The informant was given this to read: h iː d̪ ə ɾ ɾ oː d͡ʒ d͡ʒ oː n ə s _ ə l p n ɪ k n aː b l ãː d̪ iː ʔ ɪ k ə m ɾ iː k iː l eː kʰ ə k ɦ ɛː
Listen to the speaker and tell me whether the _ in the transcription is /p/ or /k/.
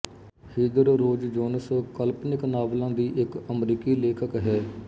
k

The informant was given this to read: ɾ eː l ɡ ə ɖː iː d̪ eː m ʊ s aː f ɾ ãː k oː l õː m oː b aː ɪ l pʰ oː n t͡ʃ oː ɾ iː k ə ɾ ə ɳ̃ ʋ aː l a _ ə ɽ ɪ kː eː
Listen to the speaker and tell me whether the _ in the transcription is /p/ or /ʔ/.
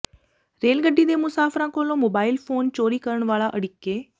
ʔ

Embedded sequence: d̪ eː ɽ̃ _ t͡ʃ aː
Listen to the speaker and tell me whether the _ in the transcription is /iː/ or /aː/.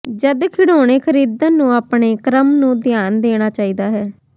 aː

